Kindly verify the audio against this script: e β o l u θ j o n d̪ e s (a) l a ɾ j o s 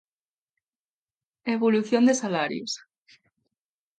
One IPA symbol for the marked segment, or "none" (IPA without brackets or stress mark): a